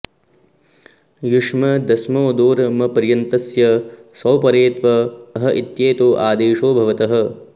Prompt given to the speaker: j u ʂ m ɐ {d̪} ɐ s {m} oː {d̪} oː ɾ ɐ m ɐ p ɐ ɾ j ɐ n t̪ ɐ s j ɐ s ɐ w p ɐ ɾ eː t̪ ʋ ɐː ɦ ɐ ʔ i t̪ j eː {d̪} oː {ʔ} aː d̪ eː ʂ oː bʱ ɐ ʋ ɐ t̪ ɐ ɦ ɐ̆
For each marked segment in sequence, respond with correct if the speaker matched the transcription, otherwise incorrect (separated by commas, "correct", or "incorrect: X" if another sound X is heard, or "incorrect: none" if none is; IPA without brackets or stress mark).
correct, correct, correct, incorrect: t̪, correct